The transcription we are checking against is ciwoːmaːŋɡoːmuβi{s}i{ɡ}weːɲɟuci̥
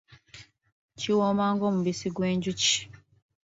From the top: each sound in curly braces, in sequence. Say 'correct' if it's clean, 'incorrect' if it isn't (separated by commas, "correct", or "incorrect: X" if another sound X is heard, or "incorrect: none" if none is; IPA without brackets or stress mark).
correct, correct